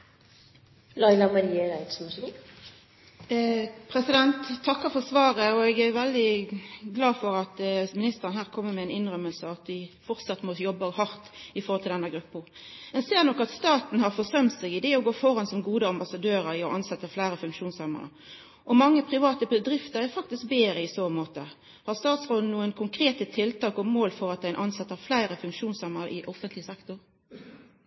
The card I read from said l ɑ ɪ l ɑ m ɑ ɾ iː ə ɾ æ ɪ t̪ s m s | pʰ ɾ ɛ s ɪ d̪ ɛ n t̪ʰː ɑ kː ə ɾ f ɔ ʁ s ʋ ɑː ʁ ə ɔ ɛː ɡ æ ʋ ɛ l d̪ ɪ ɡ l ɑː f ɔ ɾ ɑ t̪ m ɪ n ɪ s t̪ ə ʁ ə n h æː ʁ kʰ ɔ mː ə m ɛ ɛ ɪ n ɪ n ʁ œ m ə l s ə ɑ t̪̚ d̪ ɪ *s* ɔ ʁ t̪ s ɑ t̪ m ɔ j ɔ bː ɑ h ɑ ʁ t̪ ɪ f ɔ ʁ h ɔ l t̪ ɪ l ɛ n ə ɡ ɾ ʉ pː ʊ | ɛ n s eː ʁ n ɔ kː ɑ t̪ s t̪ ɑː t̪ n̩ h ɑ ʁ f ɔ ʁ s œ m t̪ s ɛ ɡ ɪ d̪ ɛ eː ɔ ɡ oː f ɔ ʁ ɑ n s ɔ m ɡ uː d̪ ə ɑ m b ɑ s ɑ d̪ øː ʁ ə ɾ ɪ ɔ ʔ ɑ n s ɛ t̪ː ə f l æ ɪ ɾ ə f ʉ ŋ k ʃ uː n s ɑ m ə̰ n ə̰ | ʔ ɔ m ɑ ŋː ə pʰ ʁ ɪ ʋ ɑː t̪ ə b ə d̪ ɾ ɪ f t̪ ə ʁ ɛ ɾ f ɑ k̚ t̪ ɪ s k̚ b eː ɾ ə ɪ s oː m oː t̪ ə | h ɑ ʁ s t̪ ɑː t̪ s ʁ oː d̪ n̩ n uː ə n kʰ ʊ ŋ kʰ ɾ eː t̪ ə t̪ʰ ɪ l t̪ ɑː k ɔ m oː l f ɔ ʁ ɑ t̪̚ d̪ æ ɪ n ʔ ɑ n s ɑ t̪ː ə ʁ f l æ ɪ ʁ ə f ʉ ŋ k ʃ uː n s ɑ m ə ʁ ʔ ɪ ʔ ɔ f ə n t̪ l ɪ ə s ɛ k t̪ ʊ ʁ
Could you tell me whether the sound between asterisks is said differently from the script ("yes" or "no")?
yes